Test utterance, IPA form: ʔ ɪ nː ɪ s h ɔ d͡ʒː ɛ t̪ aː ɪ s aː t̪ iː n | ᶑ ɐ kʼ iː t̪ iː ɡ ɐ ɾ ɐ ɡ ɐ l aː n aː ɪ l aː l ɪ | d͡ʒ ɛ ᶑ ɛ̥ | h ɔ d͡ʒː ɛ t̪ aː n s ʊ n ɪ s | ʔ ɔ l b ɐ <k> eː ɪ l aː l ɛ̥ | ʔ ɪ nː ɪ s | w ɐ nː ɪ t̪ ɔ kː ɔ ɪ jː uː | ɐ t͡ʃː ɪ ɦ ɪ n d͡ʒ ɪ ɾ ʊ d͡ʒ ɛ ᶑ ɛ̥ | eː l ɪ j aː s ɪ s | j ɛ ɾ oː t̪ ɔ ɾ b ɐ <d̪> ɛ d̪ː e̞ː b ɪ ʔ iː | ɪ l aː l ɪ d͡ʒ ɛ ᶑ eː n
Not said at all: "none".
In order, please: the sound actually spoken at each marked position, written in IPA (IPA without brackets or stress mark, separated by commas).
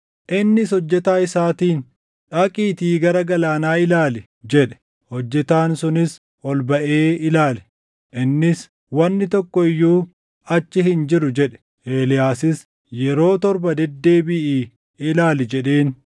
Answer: ʔ, d̪